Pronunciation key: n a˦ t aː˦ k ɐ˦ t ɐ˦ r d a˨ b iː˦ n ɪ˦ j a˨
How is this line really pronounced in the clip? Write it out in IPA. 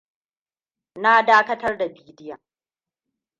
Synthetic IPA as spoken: n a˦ d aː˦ k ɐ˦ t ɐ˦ r d a˨ b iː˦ d ɪ˦ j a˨